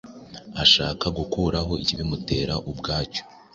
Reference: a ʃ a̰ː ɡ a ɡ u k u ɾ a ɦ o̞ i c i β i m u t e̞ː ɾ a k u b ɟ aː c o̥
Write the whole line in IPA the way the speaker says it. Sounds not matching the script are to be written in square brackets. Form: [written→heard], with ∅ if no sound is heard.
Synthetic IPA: a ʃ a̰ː [ɡ→k] a ɡ u k u ɾ a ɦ o̞ i c i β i m u t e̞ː ɾ a [k→ʔ] u b [ɟ→ɡ] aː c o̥